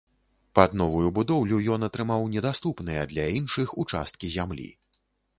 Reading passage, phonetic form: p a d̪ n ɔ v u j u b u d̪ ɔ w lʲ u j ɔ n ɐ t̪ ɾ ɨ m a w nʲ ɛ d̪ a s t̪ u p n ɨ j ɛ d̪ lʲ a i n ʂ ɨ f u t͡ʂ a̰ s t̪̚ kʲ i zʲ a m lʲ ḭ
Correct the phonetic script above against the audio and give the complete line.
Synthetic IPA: p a d̪ n ɔ v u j u b u d̪ ɔ w lʲ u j ɔ n ɐ t̪ ɾ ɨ m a w nʲ ɛ d̪ a s t̪ u p n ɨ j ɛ d̪ lʲ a i n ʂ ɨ x u t͡ʂ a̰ s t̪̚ kʲ i zʲ a m lʲ ḭ

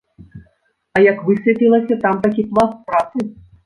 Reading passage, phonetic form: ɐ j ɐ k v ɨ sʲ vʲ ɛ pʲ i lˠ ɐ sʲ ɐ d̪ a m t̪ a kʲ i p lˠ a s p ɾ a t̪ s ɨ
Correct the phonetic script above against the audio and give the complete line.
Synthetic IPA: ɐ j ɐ k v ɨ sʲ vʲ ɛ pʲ i lˠ ɐ sʲ ɐ t̪ a m t̪ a kʲ i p lˠ a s p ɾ a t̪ s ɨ

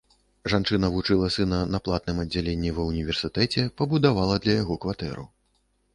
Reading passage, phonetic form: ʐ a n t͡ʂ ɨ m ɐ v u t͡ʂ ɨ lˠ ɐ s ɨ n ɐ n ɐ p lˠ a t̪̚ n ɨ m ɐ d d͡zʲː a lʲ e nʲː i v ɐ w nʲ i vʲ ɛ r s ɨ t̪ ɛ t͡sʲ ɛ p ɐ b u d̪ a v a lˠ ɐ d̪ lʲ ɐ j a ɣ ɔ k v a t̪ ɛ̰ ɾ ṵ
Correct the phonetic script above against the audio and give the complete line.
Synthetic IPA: ʐ a n t͡ʂ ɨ n ɐ v u t͡ʂ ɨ lˠ ɐ s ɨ n ɐ n ɐ p lˠ a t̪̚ n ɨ m ɐ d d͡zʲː a lʲ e nʲː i v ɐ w nʲ i vʲ ɛ r s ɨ t̪ ɛ t͡sʲ ɛ p ɐ b u d̪ a v a lˠ ɐ d̪ lʲ ɐ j a ɣ ɔ k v a t̪ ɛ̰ ɾ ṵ

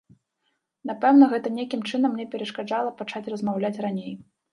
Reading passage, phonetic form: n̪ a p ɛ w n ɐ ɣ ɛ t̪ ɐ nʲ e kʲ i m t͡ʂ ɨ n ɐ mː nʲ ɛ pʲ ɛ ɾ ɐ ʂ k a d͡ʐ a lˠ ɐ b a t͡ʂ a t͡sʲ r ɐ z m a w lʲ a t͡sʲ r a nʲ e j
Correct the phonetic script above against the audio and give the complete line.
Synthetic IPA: n̪ a p ɛ w n ɐ ɣ ɛ t̪ ɐ nʲ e kʲ i m t͡ʂ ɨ n ɐ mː nʲ ɛ pʲ ɛ ɾ ɐ ʂ k a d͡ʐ a lˠ ɐ p a t͡ʂ a t͡sʲ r ɐ z m a w lʲ a t͡sʲ r a nʲ e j

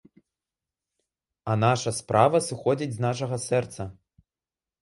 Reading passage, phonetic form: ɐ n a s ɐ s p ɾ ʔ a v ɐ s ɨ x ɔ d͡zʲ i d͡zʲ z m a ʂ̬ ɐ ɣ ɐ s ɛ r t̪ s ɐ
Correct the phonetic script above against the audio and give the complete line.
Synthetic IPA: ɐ n a ʂ ɐ s p ɾ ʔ a v ɐ s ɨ x ɔ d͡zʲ i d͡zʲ z n a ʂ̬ ɐ ɣ ɐ s ɛ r t̪ s ɐ

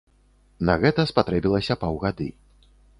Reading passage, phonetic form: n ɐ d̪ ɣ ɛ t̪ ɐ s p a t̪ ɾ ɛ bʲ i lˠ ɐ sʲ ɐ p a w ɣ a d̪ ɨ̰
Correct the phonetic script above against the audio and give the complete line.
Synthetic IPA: n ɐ ɣ ɛ t̪ ɐ s p a t̪ ɾ ɛ bʲ i lˠ ɐ sʲ ɐ p a w ɣ a d̪ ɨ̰

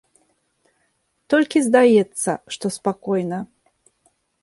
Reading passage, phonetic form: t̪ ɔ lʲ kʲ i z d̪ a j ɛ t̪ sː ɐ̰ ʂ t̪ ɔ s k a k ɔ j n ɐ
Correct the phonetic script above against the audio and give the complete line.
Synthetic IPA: t̪ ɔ lʲ kʲ i z d̪ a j ɛ t̪ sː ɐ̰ ʂ t̪ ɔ s p a k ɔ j n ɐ

